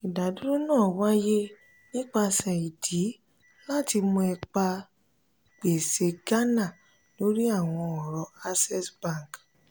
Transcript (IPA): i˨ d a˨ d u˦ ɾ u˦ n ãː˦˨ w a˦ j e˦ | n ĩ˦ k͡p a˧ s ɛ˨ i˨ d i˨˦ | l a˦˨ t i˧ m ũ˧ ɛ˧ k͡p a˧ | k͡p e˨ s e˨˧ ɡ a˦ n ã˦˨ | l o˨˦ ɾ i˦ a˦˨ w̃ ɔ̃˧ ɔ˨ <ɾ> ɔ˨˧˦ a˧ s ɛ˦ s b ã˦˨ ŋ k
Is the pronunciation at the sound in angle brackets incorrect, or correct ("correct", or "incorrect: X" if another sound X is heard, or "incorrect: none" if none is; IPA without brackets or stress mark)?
correct